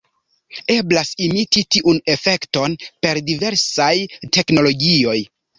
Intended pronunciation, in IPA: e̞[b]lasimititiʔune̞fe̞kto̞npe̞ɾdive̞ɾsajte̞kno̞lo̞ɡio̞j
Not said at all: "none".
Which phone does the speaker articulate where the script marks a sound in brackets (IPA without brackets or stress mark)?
b